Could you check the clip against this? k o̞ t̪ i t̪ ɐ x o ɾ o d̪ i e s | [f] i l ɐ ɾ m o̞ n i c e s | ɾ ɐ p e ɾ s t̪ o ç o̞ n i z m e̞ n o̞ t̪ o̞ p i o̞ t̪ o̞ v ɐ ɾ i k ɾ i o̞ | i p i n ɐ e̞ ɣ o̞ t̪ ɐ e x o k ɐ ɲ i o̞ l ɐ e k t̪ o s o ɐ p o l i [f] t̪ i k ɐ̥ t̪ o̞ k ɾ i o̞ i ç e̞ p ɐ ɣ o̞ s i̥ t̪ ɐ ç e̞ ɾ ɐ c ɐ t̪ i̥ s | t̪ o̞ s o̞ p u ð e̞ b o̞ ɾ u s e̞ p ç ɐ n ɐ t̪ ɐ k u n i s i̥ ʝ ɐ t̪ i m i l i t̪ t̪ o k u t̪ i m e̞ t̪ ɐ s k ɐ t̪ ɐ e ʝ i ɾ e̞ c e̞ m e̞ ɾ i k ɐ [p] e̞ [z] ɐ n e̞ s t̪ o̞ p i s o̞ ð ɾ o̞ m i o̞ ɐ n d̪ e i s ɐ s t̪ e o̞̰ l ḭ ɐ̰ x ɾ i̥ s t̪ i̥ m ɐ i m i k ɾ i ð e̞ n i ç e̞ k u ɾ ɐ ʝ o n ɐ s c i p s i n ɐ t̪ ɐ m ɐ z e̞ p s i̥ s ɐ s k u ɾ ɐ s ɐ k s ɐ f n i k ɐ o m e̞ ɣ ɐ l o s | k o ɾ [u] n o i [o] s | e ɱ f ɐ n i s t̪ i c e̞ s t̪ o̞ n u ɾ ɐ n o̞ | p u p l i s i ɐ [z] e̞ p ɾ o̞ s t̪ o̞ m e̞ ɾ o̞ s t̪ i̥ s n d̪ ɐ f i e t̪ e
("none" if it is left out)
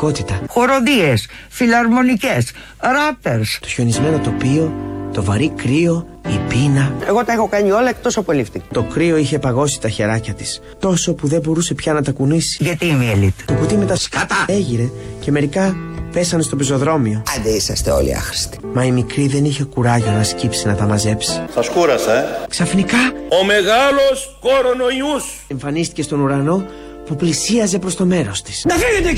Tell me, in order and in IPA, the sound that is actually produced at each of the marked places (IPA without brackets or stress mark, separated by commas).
f, f, p, s, o, u, z